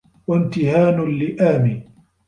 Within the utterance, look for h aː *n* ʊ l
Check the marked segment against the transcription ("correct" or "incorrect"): correct